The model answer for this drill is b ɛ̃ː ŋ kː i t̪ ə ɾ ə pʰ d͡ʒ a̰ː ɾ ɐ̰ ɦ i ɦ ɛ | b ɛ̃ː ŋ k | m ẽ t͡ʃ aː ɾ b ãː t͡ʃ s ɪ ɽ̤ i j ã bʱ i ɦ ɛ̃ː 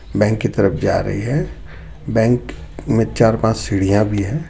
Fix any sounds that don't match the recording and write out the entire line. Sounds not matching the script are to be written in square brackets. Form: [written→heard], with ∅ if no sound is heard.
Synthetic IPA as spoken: b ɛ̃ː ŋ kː i t̪ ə ɾ ə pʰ d͡ʒ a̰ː ɾ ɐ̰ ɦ i ɦ ɛ | b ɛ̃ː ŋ k | m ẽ t͡ʃ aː ɾ [b→p] ãː t͡ʃ s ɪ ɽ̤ i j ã bʱ i ɦ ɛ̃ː